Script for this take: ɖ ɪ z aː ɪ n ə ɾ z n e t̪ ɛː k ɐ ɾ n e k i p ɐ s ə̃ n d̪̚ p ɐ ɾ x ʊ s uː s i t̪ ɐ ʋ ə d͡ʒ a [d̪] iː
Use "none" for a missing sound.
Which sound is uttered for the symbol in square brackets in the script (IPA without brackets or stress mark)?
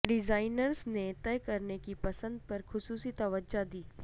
d̪